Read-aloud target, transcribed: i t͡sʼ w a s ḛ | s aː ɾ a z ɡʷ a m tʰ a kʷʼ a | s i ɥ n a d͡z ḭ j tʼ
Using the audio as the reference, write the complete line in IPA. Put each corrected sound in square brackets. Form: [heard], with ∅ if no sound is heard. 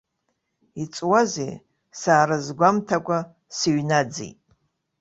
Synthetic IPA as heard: i t͡sʼ w a [z] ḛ | s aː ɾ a z ɡʷ a m tʰ a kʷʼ a | s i ɥ n a d͡z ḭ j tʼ